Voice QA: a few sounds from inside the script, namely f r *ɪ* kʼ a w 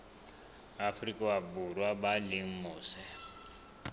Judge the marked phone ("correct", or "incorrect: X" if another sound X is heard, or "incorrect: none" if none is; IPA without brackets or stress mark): incorrect: i